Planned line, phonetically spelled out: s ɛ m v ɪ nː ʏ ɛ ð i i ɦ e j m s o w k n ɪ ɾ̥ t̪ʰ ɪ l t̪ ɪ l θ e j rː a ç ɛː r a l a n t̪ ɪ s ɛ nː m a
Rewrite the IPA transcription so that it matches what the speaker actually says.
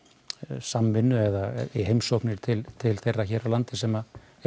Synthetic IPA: s a m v ɪ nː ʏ ɛ ð a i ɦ e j m s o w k n ɪ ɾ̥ t̪ʰ ɪ l t̪ʰ ɪ l θ e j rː a ç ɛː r a l a n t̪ ɪ s ɛ m a